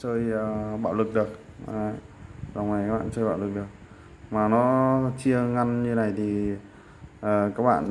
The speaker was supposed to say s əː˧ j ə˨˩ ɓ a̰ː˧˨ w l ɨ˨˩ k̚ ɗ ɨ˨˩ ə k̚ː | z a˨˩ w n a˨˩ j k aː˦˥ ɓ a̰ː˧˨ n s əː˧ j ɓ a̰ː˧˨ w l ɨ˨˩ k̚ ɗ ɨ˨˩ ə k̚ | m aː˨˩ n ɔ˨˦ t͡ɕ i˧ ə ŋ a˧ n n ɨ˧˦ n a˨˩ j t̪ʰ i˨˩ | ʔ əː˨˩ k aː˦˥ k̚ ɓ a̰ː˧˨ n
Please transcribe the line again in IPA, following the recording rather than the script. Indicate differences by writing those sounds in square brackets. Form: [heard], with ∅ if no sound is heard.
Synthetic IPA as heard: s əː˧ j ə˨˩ ɓ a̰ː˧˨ w l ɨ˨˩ k̚ ɗ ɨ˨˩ ə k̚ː | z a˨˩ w n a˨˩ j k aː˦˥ ɓ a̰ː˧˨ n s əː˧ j ɓ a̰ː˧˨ w l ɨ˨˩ k̚ ɗ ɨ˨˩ ə k̚ | m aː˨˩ n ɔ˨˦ t͡ɕ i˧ ə ŋ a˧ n [ɲ] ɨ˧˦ n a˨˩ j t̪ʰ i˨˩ | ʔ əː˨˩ k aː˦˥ k̚ ɓ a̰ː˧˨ n

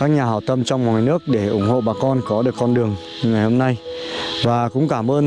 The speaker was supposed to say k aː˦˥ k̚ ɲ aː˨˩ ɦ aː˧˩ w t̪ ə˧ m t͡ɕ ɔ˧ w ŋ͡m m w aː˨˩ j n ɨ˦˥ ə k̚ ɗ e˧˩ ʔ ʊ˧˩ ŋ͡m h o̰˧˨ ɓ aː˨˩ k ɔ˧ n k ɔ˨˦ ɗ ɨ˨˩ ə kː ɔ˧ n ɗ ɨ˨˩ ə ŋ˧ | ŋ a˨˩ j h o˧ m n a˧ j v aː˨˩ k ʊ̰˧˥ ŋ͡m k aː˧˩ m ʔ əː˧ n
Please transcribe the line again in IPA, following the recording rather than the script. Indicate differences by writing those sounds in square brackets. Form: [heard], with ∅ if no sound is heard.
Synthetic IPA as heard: k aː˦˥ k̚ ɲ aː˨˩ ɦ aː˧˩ w t̪ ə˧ m t͡ɕ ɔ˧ w ŋ͡m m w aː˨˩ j n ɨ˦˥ ə k̚ ɗ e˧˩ ʔ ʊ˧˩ ŋ͡m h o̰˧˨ ɓ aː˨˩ k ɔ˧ n k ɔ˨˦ ɗ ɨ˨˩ ə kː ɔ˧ n ɗ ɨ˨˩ ə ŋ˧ | ŋ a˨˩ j h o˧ m n a˧ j v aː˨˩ k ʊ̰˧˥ ŋ͡m k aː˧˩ m ʔ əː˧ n

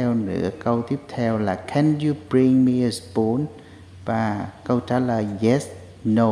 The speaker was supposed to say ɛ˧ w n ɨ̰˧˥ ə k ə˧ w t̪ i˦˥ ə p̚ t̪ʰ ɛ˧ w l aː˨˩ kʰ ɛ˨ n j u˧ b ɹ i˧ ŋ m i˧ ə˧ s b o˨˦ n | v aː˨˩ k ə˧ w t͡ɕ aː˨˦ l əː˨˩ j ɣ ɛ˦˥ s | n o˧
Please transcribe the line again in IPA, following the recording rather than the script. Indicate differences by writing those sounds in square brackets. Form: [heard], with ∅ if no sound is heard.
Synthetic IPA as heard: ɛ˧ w n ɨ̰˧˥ ə k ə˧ w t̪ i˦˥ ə p̚ t̪ʰ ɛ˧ w l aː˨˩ kʰ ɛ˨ n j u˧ b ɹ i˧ ŋ m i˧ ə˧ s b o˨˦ n | v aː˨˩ k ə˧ w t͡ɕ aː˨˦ l əː˨˩ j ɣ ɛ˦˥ s | n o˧

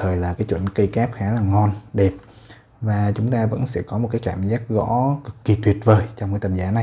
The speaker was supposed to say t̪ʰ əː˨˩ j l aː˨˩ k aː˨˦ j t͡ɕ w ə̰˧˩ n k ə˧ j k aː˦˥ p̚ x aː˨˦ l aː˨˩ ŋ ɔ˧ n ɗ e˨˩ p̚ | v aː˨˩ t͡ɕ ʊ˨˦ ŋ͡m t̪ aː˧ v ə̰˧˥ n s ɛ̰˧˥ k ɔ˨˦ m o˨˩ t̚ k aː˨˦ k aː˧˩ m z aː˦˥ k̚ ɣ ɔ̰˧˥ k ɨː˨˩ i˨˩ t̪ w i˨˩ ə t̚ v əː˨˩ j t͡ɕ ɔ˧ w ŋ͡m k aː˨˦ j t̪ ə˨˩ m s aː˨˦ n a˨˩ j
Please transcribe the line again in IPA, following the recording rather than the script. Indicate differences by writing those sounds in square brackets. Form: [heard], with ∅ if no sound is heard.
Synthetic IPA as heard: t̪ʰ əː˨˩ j l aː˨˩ k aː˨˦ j t͡ɕ w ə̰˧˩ n k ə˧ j k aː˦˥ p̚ x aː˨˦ l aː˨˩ ŋ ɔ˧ n ɗ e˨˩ p̚ | v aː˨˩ t͡ɕ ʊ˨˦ ŋ͡m t̪ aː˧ v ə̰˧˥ n s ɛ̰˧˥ k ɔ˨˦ m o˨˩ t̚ k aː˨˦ k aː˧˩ m z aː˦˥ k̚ ɣ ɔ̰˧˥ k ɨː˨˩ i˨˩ t̪ w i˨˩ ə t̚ v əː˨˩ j t͡ɕ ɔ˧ w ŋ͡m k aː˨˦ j t̪ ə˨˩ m [z] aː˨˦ n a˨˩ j

